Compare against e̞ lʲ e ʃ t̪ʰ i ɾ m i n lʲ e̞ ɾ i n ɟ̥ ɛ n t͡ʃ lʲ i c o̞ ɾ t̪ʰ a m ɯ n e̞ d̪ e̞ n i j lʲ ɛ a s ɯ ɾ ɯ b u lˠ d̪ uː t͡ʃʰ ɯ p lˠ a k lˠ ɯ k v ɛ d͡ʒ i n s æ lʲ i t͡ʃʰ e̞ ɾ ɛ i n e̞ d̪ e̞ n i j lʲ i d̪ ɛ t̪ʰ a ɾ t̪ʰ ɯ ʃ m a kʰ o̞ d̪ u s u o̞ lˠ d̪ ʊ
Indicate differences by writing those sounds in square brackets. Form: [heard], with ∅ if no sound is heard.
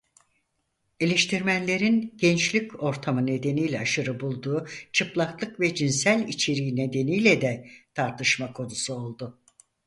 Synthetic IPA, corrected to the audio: e̞ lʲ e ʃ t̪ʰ i ɾ m [æ] n lʲ e̞ ɾ i n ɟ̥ ɛ n t͡ʃ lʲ i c o̞ ɾ t̪ʰ a m ɯ n e̞ d̪ e̞ n i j lʲ ɛ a [ʃ] ɯ ɾ ɯ b u lˠ d̪ uː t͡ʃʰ ɯ p lˠ a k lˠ ɯ k v ɛ d͡ʒ i n s æ lʲ i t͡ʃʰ e̞ ɾ [i] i n e̞ d̪ e̞ n i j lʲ [ɛ] d̪ ɛ t̪ʰ a ɾ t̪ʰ ɯ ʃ m a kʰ o̞ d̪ u s u o̞ lˠ d̪ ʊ